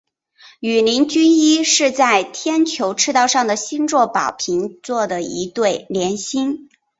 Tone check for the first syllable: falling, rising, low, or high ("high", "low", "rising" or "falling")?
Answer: low